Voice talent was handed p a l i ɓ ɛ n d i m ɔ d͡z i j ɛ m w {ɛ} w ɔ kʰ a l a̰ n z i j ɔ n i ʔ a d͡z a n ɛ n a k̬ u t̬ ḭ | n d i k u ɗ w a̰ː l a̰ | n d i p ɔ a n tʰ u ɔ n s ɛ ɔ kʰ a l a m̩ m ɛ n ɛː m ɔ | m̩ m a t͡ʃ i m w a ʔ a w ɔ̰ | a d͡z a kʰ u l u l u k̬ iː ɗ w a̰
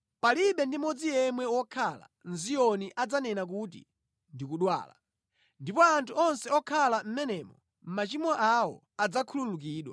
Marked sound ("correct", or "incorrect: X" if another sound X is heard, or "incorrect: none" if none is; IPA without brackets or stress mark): correct